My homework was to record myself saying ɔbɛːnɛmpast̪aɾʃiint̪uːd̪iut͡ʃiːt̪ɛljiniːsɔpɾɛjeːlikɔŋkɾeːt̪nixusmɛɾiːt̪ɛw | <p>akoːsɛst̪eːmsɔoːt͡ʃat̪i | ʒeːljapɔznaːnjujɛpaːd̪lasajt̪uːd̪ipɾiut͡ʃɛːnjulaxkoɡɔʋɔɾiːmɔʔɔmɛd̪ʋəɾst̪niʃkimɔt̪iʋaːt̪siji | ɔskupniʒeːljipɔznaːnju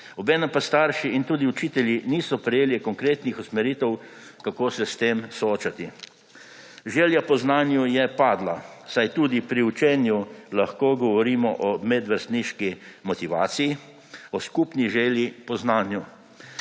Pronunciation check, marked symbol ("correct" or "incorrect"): incorrect